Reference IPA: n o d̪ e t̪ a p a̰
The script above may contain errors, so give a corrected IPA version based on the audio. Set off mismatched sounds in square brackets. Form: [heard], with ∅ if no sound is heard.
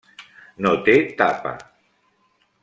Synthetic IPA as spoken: n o [t̪] e t̪ a p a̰